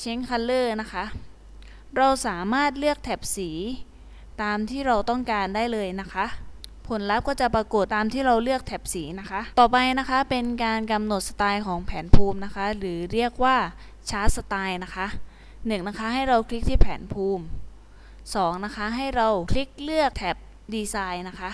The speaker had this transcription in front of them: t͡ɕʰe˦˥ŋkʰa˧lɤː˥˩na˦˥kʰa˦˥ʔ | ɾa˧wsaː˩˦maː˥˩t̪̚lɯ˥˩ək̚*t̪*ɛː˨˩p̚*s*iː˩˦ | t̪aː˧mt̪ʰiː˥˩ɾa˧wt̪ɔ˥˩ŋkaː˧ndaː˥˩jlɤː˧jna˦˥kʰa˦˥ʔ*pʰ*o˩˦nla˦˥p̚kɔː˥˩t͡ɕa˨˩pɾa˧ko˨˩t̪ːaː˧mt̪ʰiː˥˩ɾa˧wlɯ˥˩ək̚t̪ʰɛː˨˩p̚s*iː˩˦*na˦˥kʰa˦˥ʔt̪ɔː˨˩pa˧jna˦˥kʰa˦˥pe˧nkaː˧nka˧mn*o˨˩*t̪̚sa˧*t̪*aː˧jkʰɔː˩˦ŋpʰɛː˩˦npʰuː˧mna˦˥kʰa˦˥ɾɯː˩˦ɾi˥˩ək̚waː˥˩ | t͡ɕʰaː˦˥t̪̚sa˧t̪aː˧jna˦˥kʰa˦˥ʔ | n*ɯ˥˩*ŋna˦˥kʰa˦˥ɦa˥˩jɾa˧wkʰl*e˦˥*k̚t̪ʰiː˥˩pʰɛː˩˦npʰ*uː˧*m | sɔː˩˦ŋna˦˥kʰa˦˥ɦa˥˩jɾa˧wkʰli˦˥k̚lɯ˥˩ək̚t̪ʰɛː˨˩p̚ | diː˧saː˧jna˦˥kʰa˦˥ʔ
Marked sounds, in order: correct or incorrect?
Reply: incorrect, correct, correct, correct, correct, correct, incorrect, incorrect, correct

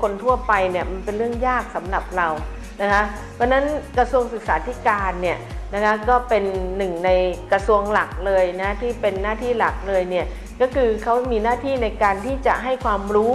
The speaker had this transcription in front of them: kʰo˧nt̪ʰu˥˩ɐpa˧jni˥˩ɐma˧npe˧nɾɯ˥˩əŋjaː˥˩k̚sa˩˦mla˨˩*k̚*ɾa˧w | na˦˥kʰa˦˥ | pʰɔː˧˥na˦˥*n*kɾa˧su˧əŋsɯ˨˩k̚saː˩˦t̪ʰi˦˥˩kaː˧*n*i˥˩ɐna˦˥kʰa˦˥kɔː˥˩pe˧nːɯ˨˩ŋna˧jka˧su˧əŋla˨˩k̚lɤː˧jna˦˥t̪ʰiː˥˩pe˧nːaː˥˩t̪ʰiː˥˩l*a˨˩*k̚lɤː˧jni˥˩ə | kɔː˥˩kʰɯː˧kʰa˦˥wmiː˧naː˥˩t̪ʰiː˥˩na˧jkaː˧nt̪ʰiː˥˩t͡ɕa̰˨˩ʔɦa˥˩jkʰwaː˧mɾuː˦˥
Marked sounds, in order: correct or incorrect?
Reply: incorrect, correct, incorrect, correct

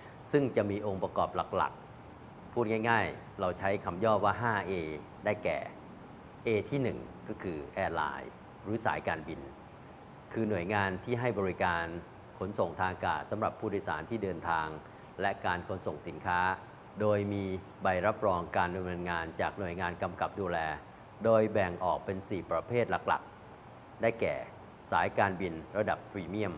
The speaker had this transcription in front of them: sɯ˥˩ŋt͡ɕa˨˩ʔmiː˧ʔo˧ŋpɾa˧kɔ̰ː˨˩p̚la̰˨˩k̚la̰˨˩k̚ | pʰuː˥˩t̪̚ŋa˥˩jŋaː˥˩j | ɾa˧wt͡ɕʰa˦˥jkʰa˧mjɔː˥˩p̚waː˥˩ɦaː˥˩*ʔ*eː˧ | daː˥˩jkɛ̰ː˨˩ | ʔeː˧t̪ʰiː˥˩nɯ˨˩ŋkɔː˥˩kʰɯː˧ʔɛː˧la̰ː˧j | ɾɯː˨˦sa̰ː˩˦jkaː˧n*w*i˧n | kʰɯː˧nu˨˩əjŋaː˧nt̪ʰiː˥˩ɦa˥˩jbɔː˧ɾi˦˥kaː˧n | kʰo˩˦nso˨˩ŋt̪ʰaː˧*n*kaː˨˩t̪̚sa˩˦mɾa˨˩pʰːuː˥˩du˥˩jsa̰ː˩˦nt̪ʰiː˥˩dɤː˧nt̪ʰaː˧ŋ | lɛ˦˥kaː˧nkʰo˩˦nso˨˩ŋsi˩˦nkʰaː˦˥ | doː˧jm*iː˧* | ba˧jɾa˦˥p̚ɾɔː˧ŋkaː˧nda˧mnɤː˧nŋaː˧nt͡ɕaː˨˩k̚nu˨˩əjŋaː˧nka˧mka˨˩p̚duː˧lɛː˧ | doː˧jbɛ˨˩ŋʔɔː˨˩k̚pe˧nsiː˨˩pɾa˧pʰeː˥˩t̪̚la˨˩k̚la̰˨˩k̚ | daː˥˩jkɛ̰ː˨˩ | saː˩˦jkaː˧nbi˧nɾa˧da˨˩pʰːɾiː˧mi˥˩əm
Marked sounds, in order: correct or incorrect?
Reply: correct, incorrect, incorrect, correct

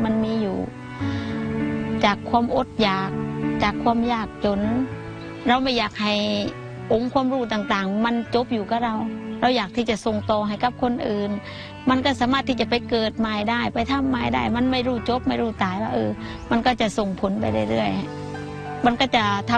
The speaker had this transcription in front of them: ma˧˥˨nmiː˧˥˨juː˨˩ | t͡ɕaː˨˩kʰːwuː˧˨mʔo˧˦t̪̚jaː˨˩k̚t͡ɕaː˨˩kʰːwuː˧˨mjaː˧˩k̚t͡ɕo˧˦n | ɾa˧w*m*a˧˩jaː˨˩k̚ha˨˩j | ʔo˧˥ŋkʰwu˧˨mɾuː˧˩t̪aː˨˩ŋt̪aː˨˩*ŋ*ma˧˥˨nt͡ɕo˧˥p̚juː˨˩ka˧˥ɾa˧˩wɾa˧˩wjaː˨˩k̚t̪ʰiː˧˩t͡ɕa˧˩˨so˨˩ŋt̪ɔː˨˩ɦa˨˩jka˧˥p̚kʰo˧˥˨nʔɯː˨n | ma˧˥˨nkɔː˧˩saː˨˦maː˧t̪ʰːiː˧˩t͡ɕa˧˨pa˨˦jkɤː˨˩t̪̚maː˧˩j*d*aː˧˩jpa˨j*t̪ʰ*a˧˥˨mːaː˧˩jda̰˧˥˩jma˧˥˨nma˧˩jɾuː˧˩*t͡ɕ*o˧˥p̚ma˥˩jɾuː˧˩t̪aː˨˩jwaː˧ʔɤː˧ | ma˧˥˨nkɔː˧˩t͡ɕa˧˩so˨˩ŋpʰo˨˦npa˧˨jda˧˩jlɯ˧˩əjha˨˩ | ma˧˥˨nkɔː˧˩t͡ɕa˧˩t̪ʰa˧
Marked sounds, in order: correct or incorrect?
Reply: correct, correct, correct, correct, correct

